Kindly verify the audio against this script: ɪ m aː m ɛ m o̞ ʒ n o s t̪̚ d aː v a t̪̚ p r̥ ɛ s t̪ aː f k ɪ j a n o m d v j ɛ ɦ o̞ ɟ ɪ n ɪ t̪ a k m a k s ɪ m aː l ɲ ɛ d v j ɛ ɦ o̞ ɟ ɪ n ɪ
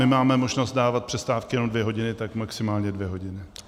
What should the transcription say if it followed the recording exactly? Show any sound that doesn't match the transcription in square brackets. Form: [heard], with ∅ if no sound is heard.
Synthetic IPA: ɪ m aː m ɛ m o̞ ʒ n o s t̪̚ d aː v a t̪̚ p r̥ ɛ s t̪ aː f k ɪ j [ɛ] n o m d v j ɛ ɦ o̞ ɟ ɪ n ɪ t̪ a k m a k s ɪ m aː l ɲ ɛ d v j ɛ ɦ o̞ ɟ ɪ n ɪ

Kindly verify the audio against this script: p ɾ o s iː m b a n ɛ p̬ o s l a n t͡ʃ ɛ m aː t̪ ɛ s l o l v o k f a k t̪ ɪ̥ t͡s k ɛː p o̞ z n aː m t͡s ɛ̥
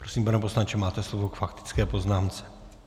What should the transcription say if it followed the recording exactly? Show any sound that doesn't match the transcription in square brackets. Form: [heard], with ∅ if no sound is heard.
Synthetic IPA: p ɾ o s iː m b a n ɛ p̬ o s l a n t͡ʃ ɛ m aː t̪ ɛ s l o [∅] v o k f a k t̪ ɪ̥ t͡s k ɛː p o̞ z n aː m t͡s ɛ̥

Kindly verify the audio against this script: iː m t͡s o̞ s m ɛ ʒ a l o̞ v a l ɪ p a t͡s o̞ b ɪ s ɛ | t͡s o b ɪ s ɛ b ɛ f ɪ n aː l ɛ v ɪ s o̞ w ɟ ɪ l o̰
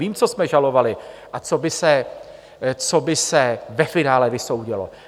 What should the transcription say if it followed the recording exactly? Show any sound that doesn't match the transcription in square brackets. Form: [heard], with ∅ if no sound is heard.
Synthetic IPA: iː m t͡s o̞ s m ɛ ʒ a l o̞ v a l ɪ [ʔ] a t͡s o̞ b ɪ s ɛ | t͡s o b ɪ s ɛ [v] ɛ f ɪ n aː l ɛ v ɪ s o̞ w ɟ ɪ l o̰

